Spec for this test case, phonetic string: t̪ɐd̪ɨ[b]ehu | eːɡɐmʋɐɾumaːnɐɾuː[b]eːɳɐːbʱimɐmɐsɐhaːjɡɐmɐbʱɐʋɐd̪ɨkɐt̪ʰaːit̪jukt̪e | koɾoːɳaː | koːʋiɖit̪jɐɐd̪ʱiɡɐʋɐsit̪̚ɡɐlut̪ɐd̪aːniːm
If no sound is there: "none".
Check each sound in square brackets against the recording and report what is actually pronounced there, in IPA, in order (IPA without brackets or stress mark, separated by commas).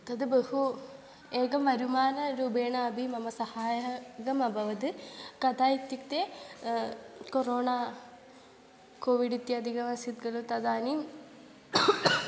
b, b